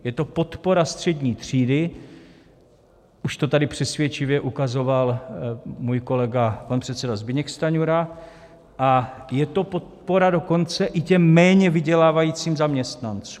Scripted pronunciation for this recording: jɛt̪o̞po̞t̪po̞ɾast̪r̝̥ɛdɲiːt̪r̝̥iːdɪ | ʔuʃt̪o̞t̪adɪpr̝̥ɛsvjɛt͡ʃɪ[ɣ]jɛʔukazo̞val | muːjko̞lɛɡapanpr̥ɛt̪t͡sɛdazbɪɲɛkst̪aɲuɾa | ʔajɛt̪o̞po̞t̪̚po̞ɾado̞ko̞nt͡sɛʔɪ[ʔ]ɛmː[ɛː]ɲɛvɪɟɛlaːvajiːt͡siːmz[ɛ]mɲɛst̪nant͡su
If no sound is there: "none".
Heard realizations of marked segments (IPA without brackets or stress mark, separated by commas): v, c, ɛː, a